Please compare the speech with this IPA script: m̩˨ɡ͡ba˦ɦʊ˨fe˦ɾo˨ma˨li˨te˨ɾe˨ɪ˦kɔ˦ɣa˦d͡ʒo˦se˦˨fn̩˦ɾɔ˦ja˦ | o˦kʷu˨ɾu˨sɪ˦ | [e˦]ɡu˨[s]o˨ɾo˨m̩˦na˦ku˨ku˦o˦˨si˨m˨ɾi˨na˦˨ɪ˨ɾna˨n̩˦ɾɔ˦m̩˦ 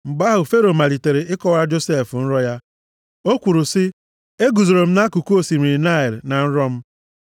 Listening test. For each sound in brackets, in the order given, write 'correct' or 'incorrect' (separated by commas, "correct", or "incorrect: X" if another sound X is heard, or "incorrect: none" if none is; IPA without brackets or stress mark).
correct, incorrect: z